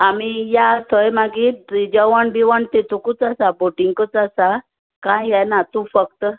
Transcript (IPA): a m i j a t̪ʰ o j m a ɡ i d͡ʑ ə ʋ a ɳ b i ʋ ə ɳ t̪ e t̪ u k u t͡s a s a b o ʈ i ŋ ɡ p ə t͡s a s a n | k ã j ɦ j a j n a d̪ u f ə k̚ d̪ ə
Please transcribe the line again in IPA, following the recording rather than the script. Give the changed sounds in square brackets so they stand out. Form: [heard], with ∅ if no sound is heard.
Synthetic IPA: a m i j a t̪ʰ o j m a ɡ i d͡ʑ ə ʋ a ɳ b i ʋ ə ɳ t̪ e t̪ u k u t͡s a s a b o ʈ i ŋ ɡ [k] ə t͡s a s a [∅] | k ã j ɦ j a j n a [t̪] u f ə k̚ [t̪] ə